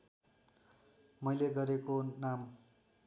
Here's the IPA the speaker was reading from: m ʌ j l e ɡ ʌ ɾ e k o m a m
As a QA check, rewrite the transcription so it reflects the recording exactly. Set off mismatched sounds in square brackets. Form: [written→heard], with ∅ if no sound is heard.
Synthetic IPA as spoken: m ʌ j l e ɡ ʌ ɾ e k o [m→n] a m